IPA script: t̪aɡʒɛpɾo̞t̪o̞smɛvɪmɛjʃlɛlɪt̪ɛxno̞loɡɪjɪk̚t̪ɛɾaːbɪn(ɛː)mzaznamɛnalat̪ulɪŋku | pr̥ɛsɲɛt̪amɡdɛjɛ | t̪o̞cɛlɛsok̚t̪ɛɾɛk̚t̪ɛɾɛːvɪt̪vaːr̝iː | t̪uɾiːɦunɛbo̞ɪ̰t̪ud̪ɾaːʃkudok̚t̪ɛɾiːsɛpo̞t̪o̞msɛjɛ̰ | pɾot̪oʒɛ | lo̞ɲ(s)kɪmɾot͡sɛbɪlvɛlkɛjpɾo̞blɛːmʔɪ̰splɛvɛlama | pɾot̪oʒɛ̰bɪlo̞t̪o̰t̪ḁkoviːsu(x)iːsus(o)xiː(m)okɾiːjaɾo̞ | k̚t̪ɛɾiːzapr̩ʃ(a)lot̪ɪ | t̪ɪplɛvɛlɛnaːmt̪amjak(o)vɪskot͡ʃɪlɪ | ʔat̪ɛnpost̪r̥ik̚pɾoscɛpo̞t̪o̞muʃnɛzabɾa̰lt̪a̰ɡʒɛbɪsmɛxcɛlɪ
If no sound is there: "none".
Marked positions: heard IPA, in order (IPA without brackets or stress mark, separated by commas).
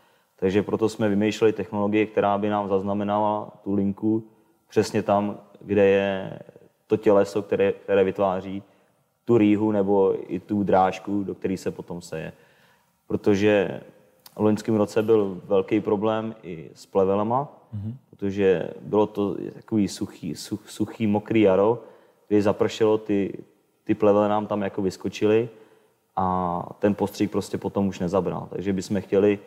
aː, s, x, u, m, ɛ, o